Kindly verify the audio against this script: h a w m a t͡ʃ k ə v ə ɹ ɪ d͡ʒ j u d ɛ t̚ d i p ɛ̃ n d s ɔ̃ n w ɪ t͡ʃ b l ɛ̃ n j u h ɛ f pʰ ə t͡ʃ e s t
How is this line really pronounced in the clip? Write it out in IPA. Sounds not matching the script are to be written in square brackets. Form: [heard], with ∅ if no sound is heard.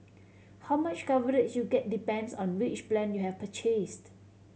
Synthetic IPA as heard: h a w m a t͡ʃ k [a] v ə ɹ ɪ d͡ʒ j u [ɡ] ɛ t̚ d i p ɛ̃ n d s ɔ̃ n w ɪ t͡ʃ [p] l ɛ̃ n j u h ɛ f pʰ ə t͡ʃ e s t